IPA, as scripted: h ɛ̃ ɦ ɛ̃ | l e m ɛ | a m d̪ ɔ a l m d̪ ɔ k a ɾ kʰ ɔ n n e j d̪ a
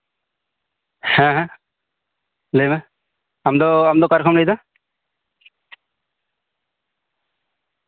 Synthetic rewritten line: h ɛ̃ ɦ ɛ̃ | l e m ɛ | a m d̪ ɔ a m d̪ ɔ k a ɾ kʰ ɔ m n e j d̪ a